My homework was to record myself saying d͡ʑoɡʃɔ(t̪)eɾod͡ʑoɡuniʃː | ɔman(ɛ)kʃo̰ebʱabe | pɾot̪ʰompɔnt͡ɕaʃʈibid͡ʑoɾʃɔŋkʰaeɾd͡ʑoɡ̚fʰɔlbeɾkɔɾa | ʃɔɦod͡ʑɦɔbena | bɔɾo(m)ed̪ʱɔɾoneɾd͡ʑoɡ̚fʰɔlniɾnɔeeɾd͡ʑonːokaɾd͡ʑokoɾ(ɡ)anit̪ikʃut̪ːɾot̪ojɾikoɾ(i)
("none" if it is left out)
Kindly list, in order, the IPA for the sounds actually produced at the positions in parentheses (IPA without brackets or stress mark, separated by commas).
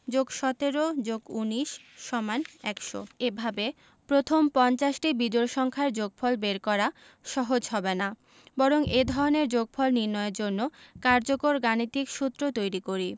t̪, ɛ, ŋ, ɡ, i